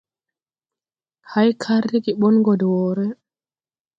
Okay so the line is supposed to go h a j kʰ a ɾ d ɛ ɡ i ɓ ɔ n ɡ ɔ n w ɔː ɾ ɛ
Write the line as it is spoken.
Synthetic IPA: h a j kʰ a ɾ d i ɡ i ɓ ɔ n ɡ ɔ d w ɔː ɾ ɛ